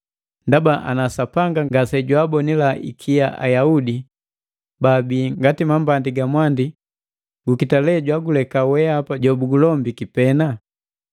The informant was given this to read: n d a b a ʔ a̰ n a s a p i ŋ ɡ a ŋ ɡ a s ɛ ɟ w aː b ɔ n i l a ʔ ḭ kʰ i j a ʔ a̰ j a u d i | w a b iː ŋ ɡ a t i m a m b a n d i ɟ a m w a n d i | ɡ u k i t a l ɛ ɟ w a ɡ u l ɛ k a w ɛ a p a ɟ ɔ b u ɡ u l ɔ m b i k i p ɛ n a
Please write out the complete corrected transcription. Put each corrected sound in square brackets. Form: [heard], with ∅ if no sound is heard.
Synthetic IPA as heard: n d a b a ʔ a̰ n a s a p [a] ŋ ɡ a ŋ ɡ a s ɛ ɟ w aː b ɔ n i l a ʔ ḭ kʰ i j a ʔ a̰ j a u d i | [b] a b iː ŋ ɡ a t i m a m b a n d i [ɡ] a m w a n d i | ɡ u k i t a l ɛ ɟ w a ɡ u l ɛ k a w ɛ a p a ɟ ɔ b u ɡ u l ɔ m b i k i p ɛ n a